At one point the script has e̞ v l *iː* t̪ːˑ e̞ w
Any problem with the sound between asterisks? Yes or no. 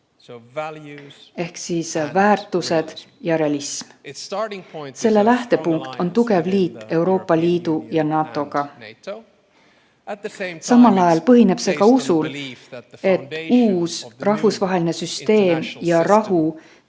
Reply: no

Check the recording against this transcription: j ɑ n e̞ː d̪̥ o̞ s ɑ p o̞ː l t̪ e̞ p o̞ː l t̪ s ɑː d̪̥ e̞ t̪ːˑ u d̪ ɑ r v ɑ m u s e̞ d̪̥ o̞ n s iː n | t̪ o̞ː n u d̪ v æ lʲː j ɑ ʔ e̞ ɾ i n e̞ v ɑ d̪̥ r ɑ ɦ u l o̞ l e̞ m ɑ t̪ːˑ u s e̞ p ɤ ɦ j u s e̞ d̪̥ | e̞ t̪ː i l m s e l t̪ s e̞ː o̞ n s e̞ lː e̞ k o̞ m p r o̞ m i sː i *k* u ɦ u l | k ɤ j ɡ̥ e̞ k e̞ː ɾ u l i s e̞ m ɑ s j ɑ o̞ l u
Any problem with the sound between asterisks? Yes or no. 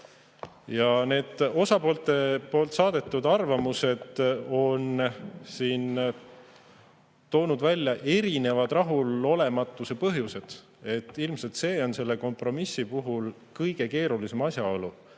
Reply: yes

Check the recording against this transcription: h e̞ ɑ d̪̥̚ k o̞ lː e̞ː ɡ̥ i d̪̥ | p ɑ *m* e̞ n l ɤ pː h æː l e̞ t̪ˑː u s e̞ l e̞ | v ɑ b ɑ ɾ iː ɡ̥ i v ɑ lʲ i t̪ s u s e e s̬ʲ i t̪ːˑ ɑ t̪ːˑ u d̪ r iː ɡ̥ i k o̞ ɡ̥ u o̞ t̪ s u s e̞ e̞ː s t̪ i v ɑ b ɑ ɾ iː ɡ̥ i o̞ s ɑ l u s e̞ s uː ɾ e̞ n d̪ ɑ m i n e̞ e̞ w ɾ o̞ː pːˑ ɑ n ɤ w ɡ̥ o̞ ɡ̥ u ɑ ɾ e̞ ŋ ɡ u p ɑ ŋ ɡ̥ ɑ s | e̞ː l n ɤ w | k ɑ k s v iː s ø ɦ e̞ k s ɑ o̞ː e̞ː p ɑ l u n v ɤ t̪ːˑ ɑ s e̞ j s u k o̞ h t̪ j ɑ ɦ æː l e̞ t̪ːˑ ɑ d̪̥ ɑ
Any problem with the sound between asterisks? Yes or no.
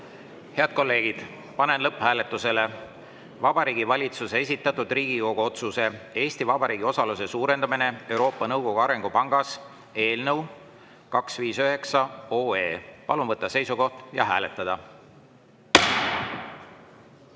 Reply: yes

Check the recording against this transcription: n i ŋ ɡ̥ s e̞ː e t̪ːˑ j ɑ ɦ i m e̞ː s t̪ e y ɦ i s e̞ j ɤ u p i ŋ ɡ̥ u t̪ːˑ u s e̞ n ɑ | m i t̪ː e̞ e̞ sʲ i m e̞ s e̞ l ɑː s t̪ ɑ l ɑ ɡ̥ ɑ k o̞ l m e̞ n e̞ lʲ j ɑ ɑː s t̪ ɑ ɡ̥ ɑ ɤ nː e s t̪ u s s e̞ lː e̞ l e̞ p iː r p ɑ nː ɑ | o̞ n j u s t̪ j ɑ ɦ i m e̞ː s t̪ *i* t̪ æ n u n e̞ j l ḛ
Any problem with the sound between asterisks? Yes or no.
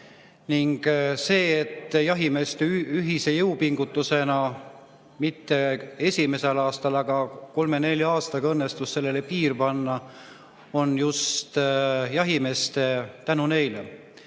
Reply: yes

